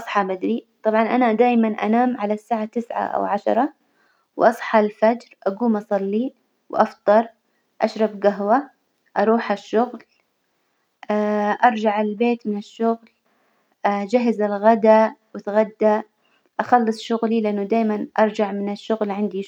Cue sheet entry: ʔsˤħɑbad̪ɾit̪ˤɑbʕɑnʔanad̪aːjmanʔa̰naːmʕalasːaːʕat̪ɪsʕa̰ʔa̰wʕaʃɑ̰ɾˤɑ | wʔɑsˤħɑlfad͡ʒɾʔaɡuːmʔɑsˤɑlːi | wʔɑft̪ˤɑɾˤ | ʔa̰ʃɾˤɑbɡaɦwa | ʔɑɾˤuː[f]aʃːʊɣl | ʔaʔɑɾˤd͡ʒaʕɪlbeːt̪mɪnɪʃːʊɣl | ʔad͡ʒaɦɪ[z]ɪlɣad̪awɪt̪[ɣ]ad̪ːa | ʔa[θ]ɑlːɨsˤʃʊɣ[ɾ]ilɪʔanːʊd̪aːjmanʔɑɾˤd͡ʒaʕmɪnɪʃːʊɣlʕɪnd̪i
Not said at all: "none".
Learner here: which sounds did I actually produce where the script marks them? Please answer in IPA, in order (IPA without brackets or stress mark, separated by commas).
ħ, z, ɣ, x, l